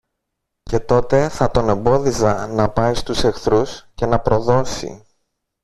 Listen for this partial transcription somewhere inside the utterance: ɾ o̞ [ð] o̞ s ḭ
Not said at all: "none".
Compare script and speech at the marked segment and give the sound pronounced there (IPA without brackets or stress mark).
ð